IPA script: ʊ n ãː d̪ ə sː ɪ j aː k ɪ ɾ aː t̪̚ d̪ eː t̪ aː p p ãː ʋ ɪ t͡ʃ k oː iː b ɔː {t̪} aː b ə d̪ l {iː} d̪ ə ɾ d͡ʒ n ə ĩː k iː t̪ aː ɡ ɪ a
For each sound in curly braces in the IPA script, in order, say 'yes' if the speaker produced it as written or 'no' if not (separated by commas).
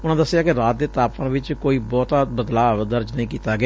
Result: yes, no